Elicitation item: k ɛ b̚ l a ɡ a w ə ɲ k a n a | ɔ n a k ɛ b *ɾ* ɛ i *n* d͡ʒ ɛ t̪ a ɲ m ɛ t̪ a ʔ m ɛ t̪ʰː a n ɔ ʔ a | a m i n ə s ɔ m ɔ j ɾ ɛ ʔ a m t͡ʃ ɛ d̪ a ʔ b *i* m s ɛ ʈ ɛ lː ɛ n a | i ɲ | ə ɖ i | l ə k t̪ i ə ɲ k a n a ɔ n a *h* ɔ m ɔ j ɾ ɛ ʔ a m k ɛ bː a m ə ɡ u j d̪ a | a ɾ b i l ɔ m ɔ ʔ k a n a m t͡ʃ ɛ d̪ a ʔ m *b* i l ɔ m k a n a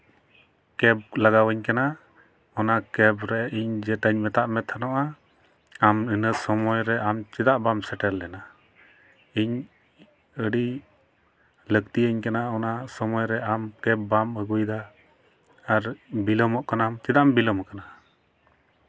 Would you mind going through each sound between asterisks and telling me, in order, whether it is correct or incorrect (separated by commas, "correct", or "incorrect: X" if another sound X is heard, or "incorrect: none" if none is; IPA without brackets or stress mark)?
correct, incorrect: ɲ, incorrect: a, incorrect: s, correct